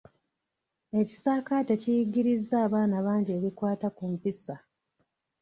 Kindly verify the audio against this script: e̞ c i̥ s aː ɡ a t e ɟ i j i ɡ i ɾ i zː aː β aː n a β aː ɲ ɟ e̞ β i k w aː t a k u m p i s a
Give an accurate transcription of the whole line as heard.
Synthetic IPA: e̞ c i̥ s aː k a t e c i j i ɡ i ɾ i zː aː β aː n a β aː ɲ ɟ e̞ β i k w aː t a k u m p i s a